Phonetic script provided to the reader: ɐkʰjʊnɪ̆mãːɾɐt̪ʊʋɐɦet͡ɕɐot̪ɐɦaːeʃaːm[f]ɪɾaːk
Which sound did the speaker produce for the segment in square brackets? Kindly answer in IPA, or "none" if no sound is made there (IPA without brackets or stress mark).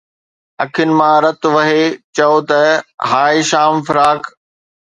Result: f